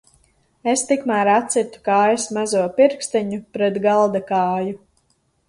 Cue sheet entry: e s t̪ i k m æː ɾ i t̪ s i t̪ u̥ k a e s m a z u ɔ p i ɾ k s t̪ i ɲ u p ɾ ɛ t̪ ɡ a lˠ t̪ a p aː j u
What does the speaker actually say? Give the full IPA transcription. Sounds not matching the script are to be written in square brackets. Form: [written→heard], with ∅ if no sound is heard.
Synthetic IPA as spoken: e s t̪ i k m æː ɾ [i→a] t̪ s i t̪ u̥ k a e s m a z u ɔ p i ɾ k s t̪ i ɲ u p ɾ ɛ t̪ ɡ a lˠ [t̪→d̪] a [p→k] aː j u